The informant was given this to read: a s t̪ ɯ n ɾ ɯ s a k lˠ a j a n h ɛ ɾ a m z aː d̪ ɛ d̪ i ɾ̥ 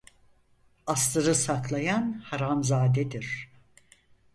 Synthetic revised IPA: a s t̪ ɯ ɾ ɯ s a k lˠ a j a n h a ɾ a m z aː d̪ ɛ d̪ i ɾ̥